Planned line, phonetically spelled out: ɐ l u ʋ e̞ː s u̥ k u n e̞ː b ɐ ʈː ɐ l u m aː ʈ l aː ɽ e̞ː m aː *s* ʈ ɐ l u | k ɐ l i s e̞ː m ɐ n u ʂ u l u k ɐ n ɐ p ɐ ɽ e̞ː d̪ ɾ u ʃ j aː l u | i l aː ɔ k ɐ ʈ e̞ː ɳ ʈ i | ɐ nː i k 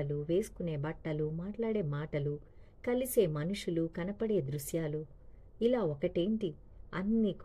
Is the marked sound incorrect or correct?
incorrect